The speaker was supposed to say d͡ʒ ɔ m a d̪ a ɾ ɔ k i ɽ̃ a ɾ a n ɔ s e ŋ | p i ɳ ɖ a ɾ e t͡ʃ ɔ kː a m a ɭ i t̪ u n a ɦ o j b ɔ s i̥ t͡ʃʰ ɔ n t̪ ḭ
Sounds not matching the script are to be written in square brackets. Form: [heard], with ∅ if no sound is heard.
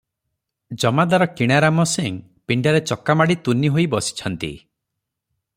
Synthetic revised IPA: d͡ʒ ɔ m a d̪ a ɾ ɔ k i ɽ̃ a ɾ a [m] ɔ s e ŋ | p i ɳ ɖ a ɾ e t͡ʃ ɔ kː a m a [ɽ] i t̪ u n [i] ɦ o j b ɔ s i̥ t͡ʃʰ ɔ n t̪ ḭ